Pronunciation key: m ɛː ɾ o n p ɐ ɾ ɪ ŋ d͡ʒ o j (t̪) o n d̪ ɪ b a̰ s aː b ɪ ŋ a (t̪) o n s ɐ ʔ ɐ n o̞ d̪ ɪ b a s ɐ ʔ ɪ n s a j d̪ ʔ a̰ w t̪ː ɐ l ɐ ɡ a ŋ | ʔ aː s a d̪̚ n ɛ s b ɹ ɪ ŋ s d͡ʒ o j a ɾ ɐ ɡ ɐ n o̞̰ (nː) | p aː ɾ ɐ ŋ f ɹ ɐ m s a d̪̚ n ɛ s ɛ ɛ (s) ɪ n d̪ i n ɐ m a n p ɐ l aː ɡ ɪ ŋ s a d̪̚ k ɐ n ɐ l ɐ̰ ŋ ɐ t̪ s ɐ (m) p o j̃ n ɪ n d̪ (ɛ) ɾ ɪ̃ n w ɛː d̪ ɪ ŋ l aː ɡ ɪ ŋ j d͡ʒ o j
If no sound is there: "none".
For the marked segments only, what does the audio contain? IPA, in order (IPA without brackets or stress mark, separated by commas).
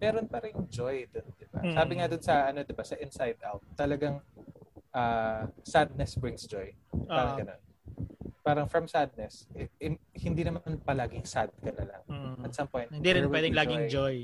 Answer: d̪, d̪, n, h, m, i